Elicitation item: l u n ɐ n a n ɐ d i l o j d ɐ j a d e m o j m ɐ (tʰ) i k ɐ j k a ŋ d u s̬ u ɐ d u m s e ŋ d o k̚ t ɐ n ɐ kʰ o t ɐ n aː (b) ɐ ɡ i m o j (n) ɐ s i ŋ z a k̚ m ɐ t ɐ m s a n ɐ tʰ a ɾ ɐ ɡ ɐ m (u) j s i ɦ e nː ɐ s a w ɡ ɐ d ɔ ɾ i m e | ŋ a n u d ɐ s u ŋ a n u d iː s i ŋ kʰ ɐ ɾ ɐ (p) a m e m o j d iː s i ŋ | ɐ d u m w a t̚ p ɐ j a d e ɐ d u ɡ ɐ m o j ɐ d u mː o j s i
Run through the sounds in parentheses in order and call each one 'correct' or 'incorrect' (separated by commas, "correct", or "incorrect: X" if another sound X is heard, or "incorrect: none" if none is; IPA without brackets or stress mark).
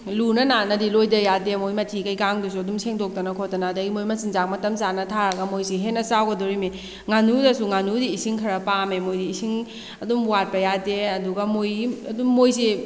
correct, incorrect: d, incorrect: m, incorrect: o, correct